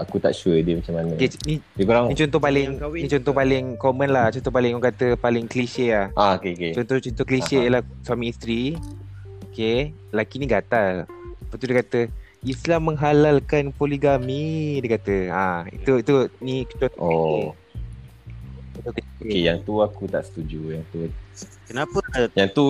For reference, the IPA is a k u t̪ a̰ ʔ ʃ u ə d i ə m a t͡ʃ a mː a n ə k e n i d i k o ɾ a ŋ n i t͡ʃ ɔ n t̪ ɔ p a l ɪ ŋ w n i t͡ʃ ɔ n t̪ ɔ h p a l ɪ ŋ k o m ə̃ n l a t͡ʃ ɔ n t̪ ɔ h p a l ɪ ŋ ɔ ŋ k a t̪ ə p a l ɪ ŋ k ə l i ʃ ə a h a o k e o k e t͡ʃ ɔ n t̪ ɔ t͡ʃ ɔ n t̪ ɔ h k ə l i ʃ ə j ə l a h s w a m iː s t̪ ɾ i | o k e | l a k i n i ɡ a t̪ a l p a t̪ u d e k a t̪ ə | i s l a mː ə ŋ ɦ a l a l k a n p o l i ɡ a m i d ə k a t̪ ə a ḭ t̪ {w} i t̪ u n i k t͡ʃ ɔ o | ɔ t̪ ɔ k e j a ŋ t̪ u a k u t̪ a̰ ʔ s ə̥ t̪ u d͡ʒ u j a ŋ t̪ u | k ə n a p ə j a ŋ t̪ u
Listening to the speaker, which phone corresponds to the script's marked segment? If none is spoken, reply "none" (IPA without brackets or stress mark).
u